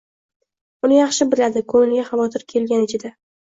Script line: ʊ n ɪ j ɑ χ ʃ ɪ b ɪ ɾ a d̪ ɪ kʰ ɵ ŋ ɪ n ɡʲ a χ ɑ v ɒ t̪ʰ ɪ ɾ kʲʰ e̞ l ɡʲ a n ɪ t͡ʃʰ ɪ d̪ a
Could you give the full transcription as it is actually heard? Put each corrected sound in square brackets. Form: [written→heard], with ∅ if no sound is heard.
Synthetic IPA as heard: ʊ n ɪ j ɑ χ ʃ ɪ b ɪ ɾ a d̪ ɪ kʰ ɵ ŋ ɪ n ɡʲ a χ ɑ v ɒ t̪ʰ ɪ ɾ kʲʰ e̞ l ɡʲ a n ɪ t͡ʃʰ ɪ d̪ a

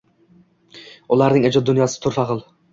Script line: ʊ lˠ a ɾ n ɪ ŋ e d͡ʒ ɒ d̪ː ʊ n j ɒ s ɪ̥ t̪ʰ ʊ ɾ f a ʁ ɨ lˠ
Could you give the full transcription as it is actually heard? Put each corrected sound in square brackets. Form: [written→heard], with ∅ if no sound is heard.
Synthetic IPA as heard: ʊ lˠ a ɾ n ɪ ŋ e d͡ʒ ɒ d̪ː ʊ n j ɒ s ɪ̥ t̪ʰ ʊ ɾ f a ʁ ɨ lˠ

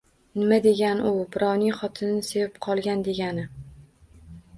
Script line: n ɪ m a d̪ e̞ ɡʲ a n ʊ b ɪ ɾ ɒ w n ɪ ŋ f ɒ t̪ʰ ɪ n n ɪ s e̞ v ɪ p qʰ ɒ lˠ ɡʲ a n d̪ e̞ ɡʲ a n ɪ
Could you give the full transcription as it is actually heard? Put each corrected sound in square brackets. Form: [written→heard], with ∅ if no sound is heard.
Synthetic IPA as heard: n ɪ m a d̪ e̞ ɡʲ a n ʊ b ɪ ɾ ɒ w n ɪ ŋ [f→χ] ɒ t̪ʰ ɪ n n ɪ s e̞ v ɪ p qʰ ɒ lˠ ɡʲ a n d̪ e̞ ɡʲ a n ɪ

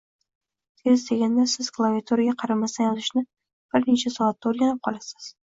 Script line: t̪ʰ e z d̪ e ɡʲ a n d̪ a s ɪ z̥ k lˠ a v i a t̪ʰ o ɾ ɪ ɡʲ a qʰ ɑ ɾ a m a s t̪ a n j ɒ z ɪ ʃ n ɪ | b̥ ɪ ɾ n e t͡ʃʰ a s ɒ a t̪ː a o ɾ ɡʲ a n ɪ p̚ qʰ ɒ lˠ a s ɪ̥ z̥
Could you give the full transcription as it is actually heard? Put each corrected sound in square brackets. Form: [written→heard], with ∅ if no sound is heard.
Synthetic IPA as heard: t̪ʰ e z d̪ e ɡʲ a n d̪ a s ɪ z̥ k lˠ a v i a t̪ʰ o ɾ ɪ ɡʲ a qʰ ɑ ɾ a m a s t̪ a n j ɒ z ɪ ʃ n ɪ | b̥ ɪ ɾ n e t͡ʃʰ a s ɒ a t̪ː a o ɾ ɡʲ a n ɪ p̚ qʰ ɒ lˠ a s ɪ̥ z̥

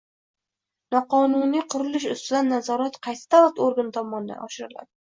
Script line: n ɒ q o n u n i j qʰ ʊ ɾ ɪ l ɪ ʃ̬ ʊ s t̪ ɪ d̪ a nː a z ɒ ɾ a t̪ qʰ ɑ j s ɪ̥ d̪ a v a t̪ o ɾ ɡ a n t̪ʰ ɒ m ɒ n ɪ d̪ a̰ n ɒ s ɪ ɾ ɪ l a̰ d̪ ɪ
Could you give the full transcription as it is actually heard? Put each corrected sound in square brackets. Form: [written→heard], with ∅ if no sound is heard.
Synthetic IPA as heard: n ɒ q [o→ɒ] n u n i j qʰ ʊ ɾ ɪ l ɪ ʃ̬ ʊ s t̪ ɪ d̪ a nː a z ɒ ɾ a t̪ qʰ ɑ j s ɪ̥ d̪ a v a t̪ o ɾ ɡ a n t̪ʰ ɒ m ɒ n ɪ d̪ a̰ n ɒ [s→ʃ] ɪ ɾ ɪ l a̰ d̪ ɪ

